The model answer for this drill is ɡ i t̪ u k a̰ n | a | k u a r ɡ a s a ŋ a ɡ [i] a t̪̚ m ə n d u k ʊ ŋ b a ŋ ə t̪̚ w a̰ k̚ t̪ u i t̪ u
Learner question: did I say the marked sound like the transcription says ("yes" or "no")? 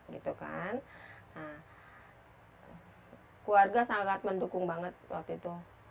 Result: no